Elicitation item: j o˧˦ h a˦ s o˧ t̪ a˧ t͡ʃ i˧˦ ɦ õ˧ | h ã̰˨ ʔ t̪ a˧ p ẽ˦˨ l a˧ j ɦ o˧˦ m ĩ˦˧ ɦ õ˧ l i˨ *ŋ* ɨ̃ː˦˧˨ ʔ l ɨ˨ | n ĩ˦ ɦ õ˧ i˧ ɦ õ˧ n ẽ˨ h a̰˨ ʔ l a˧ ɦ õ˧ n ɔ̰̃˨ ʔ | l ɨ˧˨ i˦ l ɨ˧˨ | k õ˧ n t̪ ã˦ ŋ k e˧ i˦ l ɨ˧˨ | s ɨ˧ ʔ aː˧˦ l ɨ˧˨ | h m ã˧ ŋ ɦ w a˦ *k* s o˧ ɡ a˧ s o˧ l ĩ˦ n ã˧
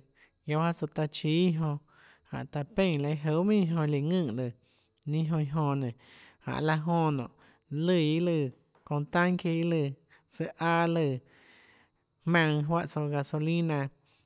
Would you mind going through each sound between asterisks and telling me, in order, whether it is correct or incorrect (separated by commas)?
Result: correct, incorrect